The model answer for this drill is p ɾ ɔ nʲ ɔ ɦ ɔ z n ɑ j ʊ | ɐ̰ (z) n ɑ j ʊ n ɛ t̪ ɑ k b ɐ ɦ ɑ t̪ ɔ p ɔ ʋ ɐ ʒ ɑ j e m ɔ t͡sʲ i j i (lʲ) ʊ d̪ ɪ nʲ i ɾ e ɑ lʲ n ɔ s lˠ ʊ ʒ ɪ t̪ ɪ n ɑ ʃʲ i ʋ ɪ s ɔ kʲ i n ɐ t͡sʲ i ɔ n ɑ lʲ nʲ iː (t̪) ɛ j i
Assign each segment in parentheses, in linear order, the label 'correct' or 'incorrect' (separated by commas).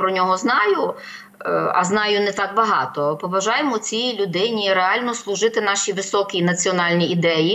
correct, correct, incorrect